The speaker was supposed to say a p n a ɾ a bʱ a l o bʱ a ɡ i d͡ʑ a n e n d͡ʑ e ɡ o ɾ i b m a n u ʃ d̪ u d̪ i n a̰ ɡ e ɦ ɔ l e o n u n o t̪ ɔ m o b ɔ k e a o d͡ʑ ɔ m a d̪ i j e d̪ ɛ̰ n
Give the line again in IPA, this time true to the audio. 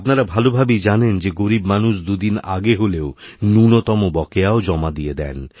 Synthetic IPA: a p n a ɾ a bʱ a l o bʱ a b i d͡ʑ a n e n d͡ʑ e ɡ o ɾ i b m a n u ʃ d̪ u d̪ i n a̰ ɡ e ɦ o l e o n u n o t̪ ɔ m o b ɔ k e a o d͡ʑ ɔ m a d̪ i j e d̪ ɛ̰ n